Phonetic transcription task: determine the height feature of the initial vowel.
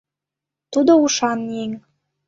high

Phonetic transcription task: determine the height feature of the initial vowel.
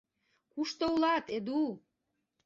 high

